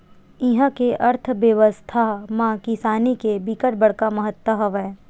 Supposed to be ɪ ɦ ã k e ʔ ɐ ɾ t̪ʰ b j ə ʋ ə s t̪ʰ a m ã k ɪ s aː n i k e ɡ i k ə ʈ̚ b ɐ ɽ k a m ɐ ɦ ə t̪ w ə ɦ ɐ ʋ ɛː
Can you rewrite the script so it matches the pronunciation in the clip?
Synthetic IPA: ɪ ɦ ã k e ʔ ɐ ɾ t̪ʰ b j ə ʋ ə s t̪ʰ a m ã k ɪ s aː n i k e b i k ə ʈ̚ b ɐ ɽ k a m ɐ ɦ ə t̪ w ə ɦ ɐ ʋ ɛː